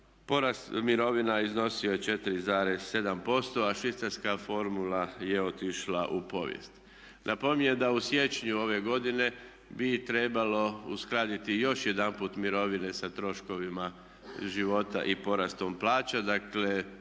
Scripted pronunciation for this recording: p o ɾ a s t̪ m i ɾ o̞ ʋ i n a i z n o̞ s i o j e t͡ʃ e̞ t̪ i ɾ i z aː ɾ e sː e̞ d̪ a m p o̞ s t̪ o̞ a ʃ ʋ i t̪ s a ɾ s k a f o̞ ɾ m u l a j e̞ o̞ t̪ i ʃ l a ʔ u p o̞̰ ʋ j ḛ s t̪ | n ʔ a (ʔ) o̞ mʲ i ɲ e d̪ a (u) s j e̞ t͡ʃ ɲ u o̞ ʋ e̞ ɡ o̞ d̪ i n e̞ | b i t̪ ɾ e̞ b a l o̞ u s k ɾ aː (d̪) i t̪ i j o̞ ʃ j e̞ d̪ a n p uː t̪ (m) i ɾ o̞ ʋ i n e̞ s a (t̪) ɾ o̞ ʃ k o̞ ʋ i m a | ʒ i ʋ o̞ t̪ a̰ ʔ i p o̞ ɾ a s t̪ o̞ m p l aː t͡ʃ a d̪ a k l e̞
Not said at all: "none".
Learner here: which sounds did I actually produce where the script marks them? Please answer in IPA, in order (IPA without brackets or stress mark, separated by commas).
p, u, d̪, m, t̪